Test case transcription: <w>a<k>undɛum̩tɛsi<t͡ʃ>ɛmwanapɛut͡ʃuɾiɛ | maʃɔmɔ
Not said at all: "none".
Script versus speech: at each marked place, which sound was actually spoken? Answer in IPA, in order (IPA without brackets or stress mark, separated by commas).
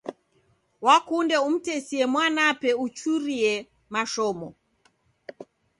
w, k, none